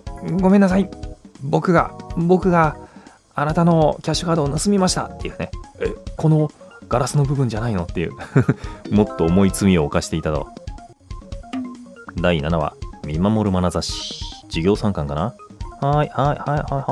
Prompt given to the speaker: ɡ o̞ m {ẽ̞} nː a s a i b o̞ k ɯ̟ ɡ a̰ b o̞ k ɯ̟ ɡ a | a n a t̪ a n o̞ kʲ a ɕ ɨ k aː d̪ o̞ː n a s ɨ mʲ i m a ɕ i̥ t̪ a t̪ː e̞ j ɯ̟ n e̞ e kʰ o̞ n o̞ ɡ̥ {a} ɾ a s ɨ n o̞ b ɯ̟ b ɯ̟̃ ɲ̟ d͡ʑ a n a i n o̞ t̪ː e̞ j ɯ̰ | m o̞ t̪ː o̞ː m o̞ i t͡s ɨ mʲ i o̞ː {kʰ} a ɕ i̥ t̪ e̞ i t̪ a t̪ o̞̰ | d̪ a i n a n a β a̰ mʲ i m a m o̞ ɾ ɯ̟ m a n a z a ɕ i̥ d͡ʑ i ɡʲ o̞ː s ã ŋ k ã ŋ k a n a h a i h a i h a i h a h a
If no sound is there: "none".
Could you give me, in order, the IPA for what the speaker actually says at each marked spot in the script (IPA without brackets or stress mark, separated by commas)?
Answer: e̞, a, k